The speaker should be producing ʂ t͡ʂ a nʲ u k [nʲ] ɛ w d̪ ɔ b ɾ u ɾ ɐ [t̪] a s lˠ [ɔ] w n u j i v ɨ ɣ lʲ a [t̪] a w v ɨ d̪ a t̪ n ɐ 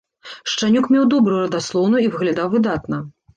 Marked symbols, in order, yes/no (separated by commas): no, no, yes, no